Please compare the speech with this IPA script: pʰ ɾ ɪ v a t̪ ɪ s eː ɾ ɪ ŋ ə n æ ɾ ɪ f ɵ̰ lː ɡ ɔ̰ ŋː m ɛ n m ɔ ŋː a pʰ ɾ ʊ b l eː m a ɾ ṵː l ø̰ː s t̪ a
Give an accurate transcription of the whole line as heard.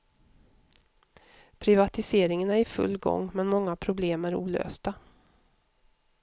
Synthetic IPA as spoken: pʰ ɾ ɪ v a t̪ ɪ s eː ɾ ɪ ŋ ə n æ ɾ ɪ f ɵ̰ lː ɡ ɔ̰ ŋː m ɛ n m ɔ ŋː a pʰ ɾ ʊ b l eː m æ ɾ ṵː l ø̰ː s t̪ a